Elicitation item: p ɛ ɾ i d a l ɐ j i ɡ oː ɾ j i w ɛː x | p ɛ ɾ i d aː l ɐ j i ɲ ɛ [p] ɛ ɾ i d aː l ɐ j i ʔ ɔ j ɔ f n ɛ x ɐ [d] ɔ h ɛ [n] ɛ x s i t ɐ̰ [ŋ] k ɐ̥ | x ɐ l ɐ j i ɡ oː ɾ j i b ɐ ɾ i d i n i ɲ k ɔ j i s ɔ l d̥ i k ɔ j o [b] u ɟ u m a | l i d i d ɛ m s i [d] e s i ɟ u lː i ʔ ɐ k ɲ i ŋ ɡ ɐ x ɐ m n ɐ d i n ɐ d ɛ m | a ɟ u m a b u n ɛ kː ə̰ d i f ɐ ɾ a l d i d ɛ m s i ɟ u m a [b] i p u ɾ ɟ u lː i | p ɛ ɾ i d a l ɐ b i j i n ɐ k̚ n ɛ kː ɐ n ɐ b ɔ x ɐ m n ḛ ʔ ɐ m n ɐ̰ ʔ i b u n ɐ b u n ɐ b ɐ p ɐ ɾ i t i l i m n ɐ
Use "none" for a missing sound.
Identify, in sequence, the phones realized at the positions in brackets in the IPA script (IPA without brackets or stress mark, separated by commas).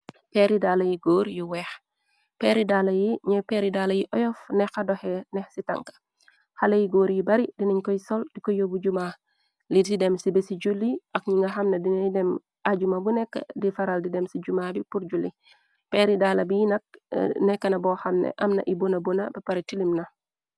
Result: p, d, n, ŋ, b, b, b